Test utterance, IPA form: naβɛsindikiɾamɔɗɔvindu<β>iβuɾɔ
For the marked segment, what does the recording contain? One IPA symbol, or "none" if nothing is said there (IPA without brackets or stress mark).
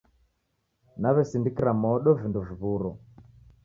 v